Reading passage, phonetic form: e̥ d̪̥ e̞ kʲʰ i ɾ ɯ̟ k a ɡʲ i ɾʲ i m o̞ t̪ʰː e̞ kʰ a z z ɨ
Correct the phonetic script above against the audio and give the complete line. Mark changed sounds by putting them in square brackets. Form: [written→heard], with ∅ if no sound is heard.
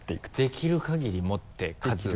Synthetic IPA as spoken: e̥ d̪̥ e̞ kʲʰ i ɾ ɯ̟ k a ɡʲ i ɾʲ i m o̞ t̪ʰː e̞ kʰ a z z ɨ